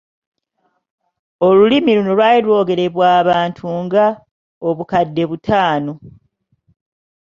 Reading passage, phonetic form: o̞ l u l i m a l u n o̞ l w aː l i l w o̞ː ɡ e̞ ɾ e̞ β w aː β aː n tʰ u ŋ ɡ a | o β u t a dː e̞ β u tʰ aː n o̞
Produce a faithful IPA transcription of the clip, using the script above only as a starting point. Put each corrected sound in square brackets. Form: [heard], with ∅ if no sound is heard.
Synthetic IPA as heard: o̞ l u l i m [i] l u n o̞ l w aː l i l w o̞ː ɡ e̞ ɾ e̞ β w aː β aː n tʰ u ŋ ɡ a | o β u [k] a dː e̞ β u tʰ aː n o̞